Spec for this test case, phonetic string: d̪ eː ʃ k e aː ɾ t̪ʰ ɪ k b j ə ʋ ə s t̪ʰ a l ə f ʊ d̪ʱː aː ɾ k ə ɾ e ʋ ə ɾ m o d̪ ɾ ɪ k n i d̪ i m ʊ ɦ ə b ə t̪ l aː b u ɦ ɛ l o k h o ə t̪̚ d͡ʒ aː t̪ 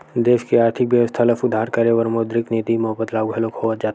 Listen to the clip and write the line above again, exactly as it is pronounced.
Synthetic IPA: d̪ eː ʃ k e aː ɾ t̪ʰ ɪ k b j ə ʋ ə s t̪ʰ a l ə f ʊ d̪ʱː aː ɾ k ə ɾ e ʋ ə ɾ m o d̪ ɾ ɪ k n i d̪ i m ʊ ɦ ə b ə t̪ l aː ɡ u ɦ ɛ l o k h o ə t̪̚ d͡ʒ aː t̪